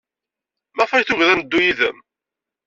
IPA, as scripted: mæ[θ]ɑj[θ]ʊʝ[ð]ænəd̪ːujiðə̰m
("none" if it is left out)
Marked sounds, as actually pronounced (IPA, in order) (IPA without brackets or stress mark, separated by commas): f, θ, ð